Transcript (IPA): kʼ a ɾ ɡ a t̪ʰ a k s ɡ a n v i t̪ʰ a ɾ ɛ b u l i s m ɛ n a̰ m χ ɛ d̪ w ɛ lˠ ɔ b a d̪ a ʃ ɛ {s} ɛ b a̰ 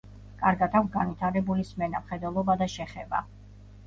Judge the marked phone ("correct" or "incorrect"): incorrect